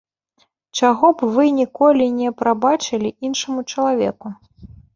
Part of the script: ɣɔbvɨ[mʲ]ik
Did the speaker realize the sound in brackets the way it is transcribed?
no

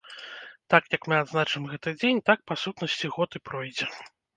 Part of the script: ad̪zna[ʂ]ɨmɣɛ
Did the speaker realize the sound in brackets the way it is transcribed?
no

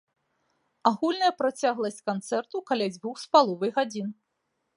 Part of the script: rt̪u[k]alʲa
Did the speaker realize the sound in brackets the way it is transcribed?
yes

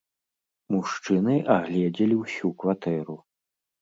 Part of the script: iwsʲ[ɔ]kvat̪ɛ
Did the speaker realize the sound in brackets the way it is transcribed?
no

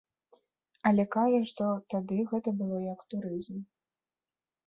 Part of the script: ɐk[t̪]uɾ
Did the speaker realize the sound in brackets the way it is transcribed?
yes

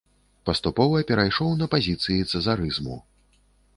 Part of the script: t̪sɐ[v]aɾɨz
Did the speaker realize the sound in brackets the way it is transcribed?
no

